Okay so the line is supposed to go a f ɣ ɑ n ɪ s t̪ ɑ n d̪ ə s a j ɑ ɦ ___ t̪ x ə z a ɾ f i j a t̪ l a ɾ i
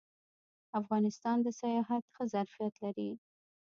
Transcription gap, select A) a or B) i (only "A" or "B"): A